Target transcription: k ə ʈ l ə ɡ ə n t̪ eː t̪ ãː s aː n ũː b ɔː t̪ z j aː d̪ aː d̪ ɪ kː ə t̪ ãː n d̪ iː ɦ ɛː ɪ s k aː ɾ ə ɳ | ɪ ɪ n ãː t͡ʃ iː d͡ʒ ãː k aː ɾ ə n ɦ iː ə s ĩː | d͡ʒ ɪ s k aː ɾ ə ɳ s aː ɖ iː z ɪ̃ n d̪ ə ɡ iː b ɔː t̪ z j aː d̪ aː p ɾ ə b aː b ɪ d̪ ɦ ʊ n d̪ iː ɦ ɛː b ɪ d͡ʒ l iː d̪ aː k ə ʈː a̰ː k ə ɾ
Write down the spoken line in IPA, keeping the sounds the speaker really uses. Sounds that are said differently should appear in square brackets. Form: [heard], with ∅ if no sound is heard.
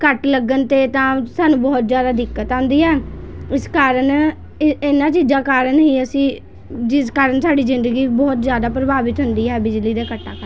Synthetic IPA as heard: k ə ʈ l ə ɡ ə n t̪ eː t̪ ãː s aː n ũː b ɔː t̪ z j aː d̪ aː d̪ ɪ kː ə t̪ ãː n d̪ iː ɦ ɛː ɪ s k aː ɾ ə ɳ | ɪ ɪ n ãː t͡ʃ iː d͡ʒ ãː k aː ɾ ə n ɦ iː ə s ĩː | d͡ʒ ɪ s k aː ɾ ə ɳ s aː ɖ iː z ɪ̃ n d̪ ə ɡ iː b ɔː t̪ z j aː d̪ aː p ɾ ə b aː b ɪ [t̪] ɦ ʊ n d̪ iː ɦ ɛː b ɪ d͡ʒ l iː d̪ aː k ə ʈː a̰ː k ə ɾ